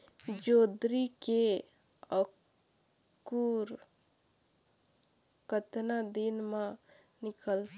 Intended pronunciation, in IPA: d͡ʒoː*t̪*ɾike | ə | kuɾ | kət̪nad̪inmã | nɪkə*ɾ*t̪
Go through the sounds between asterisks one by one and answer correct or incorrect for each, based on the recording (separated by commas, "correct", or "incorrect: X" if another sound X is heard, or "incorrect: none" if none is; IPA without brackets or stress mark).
incorrect: d̪, incorrect: l